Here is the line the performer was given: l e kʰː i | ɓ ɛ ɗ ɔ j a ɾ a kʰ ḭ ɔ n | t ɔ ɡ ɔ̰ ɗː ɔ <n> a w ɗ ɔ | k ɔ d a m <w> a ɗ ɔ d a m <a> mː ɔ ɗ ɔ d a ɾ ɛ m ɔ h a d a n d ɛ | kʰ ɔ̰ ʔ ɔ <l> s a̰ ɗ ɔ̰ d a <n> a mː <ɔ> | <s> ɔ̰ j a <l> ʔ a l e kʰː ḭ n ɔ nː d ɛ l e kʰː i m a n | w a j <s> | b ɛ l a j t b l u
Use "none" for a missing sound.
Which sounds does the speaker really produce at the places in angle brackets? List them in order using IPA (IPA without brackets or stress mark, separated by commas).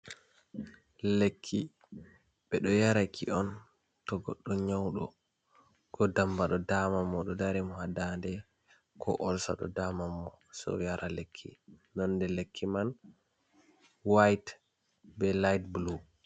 ɲ, b, a, l, m, ɔ, s, ɾ, t